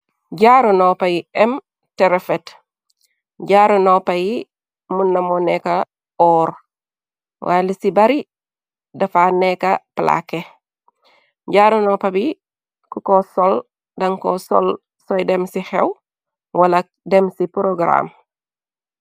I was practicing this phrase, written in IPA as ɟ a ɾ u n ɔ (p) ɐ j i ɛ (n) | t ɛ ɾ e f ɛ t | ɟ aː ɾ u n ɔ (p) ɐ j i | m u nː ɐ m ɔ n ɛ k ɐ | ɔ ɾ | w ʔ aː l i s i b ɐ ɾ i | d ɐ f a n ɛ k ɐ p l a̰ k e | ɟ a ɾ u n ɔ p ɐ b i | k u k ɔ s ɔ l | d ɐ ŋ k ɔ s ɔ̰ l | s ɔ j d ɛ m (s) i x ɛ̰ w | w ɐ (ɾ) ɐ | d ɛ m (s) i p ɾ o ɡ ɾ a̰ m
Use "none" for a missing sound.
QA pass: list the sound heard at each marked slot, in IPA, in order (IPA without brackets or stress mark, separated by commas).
p, m, p, s, l, s